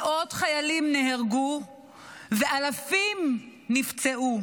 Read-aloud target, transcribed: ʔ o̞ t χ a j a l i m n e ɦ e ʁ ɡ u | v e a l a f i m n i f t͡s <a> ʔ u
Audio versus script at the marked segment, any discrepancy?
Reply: yes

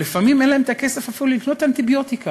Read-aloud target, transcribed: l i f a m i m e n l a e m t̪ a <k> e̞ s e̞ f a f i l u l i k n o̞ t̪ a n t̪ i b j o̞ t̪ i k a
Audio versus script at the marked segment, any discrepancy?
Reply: no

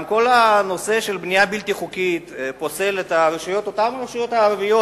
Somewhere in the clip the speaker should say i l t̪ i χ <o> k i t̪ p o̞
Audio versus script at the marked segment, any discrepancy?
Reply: yes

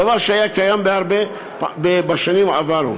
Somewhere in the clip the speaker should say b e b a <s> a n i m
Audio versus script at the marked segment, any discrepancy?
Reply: yes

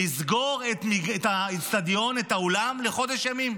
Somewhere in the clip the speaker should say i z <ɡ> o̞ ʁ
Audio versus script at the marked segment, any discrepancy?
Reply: no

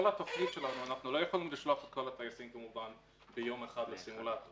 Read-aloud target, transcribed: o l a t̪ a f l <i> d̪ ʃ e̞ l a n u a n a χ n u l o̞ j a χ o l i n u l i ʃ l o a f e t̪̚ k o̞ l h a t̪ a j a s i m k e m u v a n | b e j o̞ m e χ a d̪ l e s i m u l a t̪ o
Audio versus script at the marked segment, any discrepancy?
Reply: no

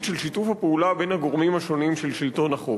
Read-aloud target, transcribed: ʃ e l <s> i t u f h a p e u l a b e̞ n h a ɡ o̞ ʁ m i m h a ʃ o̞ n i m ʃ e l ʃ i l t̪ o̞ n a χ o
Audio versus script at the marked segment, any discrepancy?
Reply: yes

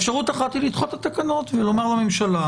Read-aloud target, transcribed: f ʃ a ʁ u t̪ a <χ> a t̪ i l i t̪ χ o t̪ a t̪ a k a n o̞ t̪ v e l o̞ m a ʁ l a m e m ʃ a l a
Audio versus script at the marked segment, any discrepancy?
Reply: no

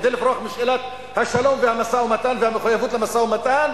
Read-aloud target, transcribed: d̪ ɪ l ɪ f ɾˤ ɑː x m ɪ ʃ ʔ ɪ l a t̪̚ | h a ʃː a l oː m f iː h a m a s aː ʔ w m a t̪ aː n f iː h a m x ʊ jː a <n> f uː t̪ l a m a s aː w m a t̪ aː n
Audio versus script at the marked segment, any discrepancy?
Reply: yes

